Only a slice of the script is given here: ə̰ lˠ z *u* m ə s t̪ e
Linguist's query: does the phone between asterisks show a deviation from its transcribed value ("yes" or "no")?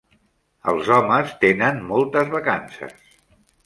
yes